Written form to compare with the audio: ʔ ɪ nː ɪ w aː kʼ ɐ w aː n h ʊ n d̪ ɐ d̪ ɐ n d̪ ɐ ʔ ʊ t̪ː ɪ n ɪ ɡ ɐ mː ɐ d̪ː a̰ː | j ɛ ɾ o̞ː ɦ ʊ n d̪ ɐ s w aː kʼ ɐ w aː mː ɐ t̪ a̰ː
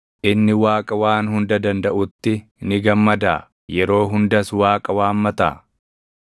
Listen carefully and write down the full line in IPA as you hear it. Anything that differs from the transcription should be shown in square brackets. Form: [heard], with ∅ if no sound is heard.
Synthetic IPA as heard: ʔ ɪ nː ɪ w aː kʼ ɐ w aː n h ʊ n d̪ ɐ d̪ ɐ n d̪ ɐ ʔ ʊ t̪ː ɪ n ɪ ɡ ɐ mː ɐ [d̪] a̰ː | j ɛ ɾ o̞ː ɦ ʊ n d̪ ɐ s w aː kʼ ɐ w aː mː ɐ t̪ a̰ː